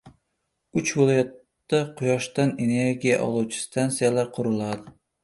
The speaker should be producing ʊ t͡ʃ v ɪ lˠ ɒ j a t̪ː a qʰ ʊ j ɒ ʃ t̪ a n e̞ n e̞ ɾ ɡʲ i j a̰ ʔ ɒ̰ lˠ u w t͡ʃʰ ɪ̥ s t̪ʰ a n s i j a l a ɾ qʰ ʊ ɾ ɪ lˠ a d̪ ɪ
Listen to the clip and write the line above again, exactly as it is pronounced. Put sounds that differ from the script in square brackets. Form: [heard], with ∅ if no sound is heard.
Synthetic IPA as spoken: ʊ t͡ʃ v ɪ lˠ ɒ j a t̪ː a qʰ ʊ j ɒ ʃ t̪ a n e̞ n e̞ ɾ ɡʲ i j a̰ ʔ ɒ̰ lˠ u w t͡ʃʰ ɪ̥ s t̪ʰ a n s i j a l a ɾ qʰ ʊ ɾ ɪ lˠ a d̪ ɪ

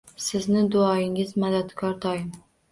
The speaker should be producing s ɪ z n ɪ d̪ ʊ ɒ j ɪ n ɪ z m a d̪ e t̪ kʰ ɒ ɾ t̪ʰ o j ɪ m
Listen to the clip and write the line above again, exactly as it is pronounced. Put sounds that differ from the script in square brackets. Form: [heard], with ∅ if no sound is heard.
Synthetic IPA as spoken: s ɪ z n ɪ d̪ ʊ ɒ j ɪ [ŋ] ɪ z m a d̪ [a] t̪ kʰ ɒ ɾ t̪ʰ [ɒ] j ɪ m

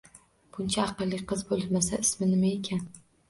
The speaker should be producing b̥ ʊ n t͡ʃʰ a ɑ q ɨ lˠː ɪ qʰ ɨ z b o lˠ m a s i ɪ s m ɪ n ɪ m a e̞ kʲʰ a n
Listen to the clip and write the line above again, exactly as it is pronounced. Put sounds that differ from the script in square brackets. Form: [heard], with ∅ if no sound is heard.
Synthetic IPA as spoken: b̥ ʊ n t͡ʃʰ a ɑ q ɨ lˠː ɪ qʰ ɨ z b o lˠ m a s [a] ɪ s m ɪ n ɪ m a e̞ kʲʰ a n

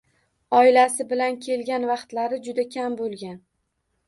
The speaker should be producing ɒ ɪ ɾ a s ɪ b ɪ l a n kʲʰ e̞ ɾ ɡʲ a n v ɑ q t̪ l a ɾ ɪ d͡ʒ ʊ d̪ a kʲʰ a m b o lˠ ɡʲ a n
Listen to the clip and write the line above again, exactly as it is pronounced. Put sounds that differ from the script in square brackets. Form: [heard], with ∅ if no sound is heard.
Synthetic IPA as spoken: ɒ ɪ [l] a s ɪ b ɪ l a n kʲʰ e̞ [l] ɡʲ a n v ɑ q t̪ l a ɾ ɪ d͡ʒ ʊ d̪ a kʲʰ a m b o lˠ ɡʲ a n

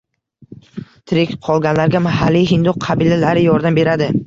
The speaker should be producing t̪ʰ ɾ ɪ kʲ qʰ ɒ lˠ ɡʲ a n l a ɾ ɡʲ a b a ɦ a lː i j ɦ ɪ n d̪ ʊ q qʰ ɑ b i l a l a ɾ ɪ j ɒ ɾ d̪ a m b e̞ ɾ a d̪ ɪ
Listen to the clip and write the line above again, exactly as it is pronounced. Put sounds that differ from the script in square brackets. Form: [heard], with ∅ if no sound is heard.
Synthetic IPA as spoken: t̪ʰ ɾ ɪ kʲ qʰ ɒ lˠ ɡʲ a n l a ɾ ɡʲ a [m] a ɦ a lː i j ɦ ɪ n d̪ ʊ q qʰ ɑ b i l a l a ɾ ɪ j ɒ ɾ d̪ a m b e̞ ɾ a d̪ ɪ

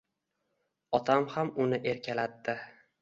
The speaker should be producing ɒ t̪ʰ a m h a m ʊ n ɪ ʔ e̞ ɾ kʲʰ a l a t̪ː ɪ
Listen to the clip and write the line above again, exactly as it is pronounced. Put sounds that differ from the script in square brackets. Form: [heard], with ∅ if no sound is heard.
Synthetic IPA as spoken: ɒ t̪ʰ a m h a m ʊ n ɪ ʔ e̞ ɾ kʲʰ a l a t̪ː ɪ

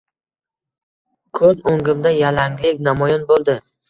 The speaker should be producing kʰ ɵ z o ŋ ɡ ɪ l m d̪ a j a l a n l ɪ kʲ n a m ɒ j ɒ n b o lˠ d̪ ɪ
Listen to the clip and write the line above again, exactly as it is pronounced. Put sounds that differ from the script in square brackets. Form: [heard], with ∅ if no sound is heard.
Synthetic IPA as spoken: kʰ ɵ z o ŋ ɡ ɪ [∅] m d̪ a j a l a [ŋ] l ɪ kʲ n a m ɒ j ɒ n b o lˠ d̪ ɪ

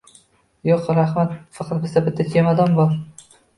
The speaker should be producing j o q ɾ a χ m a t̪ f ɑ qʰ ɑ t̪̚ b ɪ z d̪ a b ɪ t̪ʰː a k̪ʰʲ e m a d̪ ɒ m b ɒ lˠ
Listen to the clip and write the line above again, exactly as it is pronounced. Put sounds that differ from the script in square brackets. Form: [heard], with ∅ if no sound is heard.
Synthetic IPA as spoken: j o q ɾ a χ m a t̪ f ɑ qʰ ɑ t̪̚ b ɪ z d̪ a b ɪ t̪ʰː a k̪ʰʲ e m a d̪ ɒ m b ɒ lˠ

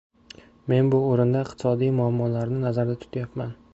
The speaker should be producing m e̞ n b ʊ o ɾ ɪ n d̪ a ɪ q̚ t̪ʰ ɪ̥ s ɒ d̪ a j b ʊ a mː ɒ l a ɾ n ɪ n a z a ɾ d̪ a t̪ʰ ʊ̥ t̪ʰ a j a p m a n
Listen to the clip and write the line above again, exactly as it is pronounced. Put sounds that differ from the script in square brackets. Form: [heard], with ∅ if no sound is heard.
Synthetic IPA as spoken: m e̞ n b ʊ o ɾ ɪ n d̪ a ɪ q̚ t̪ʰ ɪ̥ s ɒ d̪ [i] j [m] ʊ a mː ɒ l a ɾ n ɪ n a z a ɾ d̪ a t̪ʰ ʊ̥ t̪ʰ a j a p m a n

